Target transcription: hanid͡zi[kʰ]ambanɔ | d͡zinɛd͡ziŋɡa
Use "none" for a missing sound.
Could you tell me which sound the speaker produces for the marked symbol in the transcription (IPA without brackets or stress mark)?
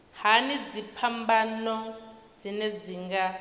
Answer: pʰ